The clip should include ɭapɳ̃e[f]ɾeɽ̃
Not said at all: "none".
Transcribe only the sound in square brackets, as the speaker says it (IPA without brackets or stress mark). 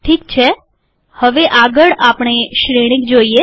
ʃ